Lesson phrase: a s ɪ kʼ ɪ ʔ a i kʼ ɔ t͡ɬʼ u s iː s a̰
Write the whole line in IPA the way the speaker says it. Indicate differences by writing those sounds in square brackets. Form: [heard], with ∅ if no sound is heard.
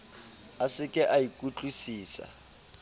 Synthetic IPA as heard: a s ɪ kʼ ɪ ʔ a i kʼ [u] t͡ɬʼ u s iː s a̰

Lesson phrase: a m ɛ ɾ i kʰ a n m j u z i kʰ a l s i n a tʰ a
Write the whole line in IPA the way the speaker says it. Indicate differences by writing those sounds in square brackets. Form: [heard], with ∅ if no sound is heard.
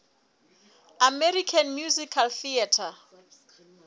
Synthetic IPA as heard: a m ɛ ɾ i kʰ a n m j u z i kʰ a l [θ] i [∅] a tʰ a

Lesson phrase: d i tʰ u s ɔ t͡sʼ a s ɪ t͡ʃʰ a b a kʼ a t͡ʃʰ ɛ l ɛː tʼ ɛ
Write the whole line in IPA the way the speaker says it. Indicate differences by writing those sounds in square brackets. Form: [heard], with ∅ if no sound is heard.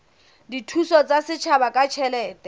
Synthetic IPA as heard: d i tʰ u s ɔ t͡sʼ a s ɪ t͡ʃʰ a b a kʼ a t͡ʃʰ ɛ l ɛː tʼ ɛ

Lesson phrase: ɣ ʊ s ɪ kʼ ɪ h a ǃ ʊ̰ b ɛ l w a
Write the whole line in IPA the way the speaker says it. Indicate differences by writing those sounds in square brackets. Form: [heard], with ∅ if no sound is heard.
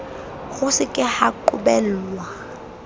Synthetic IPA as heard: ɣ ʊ s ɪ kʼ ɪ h a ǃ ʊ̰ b ɛ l w a

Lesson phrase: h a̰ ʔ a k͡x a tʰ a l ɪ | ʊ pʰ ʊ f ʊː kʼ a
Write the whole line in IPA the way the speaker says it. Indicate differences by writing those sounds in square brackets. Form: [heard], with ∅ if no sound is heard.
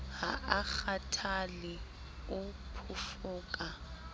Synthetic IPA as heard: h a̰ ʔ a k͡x a tʰ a l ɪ | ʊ pʰ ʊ f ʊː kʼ a

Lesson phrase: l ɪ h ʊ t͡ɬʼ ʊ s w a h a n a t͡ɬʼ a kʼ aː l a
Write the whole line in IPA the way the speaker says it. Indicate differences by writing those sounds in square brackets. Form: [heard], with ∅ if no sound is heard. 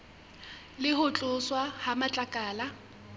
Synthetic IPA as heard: l ɪ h ʊ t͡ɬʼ ʊ s w a h a [m] a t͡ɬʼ a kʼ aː l a

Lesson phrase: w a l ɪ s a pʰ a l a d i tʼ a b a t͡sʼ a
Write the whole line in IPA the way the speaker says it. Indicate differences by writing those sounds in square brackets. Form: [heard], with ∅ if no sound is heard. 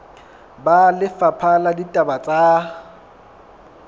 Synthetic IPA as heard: [b] a l ɪ [f] a pʰ a l a d i tʼ a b a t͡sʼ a

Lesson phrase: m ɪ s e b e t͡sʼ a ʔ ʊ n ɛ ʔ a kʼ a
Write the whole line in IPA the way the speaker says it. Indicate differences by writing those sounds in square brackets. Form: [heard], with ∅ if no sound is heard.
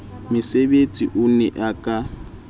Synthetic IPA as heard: m ɪ s e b e t͡sʼ [i] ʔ ʊ n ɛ ʔ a kʼ a

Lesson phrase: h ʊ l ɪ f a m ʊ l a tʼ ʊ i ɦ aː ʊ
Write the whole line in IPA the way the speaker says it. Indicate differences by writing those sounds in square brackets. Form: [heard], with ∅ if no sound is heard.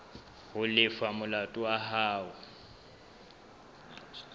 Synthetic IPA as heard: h ʊ l ɪ f a m ʊ l a tʼ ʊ [a] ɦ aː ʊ

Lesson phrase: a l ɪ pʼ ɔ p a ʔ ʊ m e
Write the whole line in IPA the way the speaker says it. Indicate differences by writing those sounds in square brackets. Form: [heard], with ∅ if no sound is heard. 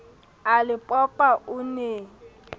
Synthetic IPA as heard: a l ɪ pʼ ɔ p a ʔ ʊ [n] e

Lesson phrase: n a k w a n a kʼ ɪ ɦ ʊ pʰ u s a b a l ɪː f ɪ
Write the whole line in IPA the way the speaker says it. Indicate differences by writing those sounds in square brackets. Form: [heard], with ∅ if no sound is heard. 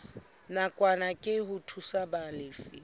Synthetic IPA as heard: n a [kʼ] w a n a kʼ ɪ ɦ ʊ [tʰ] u s a b a l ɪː f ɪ

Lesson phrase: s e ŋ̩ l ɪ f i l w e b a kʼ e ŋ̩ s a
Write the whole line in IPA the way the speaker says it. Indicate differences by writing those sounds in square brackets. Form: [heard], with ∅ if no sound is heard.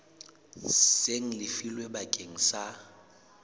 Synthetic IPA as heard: s e ŋ̩ l ɪ f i l w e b a kʼ e ŋ̩ s a

